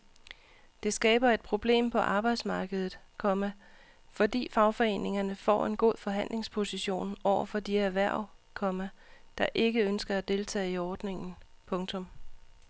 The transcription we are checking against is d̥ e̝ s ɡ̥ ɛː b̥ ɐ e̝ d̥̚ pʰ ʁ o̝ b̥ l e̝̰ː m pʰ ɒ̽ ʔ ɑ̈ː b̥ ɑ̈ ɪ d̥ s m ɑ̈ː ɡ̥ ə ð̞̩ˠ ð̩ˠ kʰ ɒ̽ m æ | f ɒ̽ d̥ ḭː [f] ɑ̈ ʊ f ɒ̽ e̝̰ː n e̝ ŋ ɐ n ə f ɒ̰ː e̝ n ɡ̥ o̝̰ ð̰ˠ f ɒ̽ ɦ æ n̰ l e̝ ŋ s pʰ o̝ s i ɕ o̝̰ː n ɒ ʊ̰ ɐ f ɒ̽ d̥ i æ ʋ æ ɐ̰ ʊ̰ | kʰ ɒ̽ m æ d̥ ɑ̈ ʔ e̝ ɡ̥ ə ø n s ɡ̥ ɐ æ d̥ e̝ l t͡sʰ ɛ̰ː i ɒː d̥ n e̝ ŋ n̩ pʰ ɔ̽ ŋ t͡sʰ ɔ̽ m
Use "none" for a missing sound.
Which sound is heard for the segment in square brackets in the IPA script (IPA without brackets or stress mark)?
f